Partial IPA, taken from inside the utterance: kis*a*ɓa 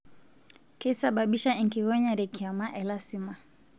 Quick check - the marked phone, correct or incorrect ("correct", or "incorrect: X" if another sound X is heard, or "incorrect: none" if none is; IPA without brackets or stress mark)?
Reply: correct